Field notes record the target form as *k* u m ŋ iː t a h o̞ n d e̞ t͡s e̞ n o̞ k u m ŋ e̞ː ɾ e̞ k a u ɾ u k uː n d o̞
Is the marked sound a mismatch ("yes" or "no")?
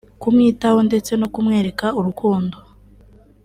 no